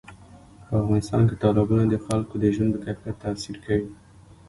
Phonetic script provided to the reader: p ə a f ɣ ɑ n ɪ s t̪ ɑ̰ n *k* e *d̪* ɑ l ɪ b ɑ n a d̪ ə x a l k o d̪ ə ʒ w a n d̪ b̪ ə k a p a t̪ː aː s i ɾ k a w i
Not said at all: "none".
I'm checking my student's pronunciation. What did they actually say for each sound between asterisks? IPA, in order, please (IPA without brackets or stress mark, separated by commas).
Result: k, t̪